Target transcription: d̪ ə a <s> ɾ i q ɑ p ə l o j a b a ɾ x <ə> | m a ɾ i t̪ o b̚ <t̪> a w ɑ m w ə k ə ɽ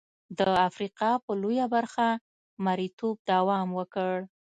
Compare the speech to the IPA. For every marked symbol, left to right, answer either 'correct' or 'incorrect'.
incorrect: f, incorrect: a, incorrect: d̪

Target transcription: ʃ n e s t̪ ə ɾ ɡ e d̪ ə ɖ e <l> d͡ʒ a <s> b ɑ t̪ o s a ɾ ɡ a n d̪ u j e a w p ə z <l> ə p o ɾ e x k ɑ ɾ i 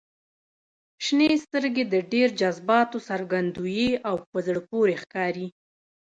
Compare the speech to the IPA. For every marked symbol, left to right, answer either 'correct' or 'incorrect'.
incorrect: ɾ, incorrect: z, incorrect: ɽ

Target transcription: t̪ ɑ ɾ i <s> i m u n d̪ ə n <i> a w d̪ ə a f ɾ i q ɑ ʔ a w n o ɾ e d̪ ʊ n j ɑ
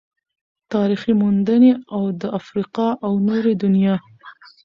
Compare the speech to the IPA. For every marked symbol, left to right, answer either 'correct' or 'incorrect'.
incorrect: x, incorrect: e

